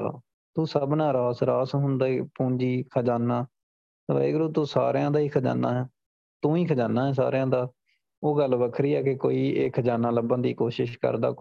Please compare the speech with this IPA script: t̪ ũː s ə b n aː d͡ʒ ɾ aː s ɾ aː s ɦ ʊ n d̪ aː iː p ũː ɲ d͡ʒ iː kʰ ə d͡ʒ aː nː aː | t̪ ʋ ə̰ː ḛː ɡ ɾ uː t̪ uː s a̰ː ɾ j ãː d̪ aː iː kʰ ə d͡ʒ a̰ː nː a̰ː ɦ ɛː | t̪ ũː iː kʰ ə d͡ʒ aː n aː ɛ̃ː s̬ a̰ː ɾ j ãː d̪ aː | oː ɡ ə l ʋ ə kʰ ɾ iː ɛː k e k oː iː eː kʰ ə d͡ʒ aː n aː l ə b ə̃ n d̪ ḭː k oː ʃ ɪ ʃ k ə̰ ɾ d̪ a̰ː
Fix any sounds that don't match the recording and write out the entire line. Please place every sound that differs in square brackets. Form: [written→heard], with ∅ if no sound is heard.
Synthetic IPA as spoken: t̪ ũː s ə b n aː [d͡ʒ→∅] ɾ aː s ɾ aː s ɦ ʊ n d̪ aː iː p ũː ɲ d͡ʒ iː kʰ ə d͡ʒ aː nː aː | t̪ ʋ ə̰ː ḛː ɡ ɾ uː t̪ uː s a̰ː ɾ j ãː d̪ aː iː kʰ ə d͡ʒ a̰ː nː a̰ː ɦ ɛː | t̪ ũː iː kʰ ə d͡ʒ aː n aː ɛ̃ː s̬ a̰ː ɾ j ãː d̪ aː | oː ɡ ə l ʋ ə kʰ ɾ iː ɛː k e k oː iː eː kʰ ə d͡ʒ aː n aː l ə b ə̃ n d̪ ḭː k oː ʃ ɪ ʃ k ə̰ ɾ d̪ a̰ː